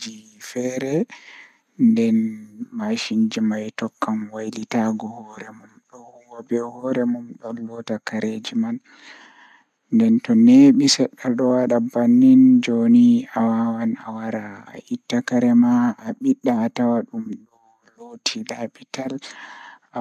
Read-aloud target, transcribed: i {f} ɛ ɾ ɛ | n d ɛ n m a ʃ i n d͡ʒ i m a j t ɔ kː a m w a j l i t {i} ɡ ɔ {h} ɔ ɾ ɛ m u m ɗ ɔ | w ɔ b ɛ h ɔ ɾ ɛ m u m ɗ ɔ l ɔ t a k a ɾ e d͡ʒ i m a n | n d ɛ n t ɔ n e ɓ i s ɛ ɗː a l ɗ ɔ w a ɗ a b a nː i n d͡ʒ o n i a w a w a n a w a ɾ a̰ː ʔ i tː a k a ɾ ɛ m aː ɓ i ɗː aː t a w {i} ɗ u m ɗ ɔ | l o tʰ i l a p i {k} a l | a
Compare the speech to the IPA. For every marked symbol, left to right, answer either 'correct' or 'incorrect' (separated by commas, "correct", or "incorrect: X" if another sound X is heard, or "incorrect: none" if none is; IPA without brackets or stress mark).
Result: correct, incorrect: a, correct, incorrect: a, incorrect: t